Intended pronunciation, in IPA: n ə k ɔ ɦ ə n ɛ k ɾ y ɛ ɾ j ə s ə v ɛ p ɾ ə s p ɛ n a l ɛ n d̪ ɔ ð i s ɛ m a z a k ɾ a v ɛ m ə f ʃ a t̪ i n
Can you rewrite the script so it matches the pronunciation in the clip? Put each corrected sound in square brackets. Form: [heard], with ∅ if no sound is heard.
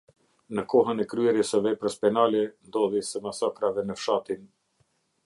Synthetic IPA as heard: n ə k ɔ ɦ ə n ɛ k ɾ y ɛ ɾ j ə s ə v ɛ p ɾ ə s p ɛ n a l ɛ n d̪ ɔ ð i s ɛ m a [s] a k ɾ a v ɛ [n] ə f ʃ a t̪ i n